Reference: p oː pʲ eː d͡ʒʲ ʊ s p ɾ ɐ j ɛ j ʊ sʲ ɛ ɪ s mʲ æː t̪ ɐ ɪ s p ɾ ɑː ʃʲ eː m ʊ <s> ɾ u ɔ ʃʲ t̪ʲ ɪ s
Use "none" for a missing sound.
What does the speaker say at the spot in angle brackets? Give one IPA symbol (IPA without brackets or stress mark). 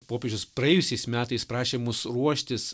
s